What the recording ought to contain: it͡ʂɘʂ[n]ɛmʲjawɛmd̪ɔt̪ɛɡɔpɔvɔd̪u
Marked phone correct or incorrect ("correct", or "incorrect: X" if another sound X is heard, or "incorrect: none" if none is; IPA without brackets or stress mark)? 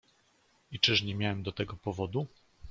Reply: incorrect: ɲ